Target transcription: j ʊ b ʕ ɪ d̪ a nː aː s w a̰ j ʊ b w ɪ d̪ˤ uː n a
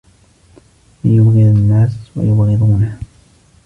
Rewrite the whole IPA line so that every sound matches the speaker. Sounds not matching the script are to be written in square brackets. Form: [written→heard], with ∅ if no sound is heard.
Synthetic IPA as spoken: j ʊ b [ʕ→ɣ] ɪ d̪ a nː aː s w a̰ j ʊ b [w→ɣ] ɪ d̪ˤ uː n a